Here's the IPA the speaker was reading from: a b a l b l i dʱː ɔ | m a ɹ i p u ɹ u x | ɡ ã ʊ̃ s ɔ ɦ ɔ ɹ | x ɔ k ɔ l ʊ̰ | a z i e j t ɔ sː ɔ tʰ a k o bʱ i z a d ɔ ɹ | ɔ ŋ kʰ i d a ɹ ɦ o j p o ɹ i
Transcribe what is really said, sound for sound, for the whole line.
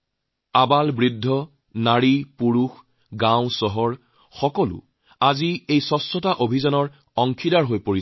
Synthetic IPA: a b a l b ɹ i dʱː ɔ | n a ɹ i p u ɹ u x | ɡ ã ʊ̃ s ɔ ɦ ɔ ɹ | x ɔ k ɔ l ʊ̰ | a z i e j s ɔ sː ɔ t a ʔ o bʱ i z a n ɔ ɹ | ɔ ŋ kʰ i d a ɹ ɦ o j p o ɹ i